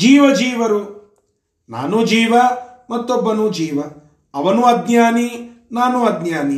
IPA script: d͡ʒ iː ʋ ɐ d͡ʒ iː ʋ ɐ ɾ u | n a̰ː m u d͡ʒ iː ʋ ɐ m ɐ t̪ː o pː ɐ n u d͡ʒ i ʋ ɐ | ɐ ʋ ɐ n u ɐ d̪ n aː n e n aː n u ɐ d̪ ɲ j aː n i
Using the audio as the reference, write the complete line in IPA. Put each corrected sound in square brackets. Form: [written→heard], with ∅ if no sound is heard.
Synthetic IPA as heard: d͡ʒ iː ʋ ɐ d͡ʒ iː ʋ ɐ ɾ u | n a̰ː [m→n] u d͡ʒ iː ʋ ɐ m ɐ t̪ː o [pː→bː] ɐ n u d͡ʒ [i→iː] ʋ ɐ | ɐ ʋ ɐ n u ɐ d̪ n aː n [e→i] n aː n u ɐ d̪ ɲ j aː n i